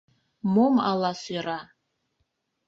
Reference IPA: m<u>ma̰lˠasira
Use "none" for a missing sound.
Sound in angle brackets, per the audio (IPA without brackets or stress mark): o